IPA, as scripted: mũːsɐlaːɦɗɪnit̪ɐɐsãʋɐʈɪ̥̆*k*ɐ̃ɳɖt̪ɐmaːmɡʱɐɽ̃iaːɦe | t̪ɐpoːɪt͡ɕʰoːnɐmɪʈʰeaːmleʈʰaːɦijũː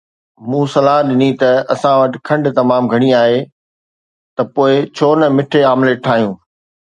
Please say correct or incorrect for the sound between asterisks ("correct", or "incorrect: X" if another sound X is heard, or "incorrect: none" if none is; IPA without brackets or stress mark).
incorrect: kʰ